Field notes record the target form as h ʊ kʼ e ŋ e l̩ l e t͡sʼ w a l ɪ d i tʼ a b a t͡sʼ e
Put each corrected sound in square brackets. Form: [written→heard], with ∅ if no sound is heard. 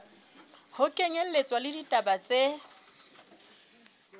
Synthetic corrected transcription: h ʊ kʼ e ŋ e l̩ l e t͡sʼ w a l ɪ d i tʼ a b a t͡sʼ e

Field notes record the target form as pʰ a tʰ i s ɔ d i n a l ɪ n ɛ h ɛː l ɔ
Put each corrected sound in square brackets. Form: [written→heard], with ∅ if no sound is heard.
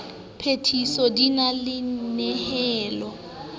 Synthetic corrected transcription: pʰ [a→e] tʰ i s ɔ d i n a l ɪ n ɛ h ɛː l ɔ

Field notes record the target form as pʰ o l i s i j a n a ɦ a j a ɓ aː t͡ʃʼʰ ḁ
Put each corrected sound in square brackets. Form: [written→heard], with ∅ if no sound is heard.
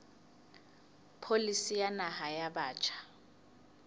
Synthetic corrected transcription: pʰ o l i s i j a n a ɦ a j a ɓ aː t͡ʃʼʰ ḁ

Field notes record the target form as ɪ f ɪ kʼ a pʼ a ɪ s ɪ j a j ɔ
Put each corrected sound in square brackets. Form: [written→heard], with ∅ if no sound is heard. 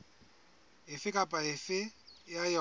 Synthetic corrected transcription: ɪ f ɪ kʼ a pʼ a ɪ [s→f] ɪ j a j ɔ

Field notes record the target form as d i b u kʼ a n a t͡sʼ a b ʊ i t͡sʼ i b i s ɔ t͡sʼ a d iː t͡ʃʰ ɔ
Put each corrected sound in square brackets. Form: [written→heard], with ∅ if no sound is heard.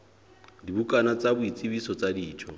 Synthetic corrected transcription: d i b u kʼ a n a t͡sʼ a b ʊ i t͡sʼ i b i s ɔ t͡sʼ a d iː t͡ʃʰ ɔ

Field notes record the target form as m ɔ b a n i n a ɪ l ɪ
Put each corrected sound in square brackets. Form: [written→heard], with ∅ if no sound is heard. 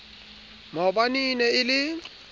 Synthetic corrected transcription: m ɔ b a n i n [a→ɛ] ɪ l ɪ

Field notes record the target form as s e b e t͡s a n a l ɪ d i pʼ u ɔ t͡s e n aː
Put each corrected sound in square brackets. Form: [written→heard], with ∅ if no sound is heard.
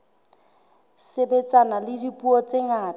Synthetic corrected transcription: s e b e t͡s a n a l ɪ d i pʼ u ɔ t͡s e [n→ŋ] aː

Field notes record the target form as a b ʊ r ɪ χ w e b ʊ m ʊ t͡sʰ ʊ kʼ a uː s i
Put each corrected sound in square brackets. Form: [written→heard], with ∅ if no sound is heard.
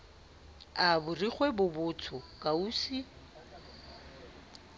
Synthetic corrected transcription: a b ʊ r [ɪ→i] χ w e b ʊ [m→b] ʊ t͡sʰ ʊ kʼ a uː s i

